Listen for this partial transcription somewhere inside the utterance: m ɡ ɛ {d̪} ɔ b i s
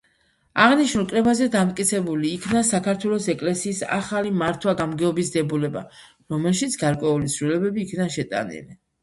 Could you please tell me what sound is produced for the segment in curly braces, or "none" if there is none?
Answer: none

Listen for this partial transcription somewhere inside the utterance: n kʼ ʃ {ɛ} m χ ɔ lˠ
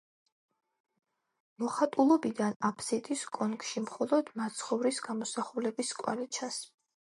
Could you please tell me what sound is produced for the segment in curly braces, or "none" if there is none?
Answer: i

